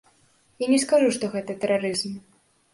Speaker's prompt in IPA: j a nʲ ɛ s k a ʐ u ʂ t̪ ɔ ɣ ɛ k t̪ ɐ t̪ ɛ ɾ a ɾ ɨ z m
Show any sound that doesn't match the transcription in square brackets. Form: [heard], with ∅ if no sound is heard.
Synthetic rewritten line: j a nʲ ɛ s k a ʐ u ʂ t̪ ɔ ɣ ɛ [∅] t̪ ɐ t̪ ɛ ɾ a ɾ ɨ z m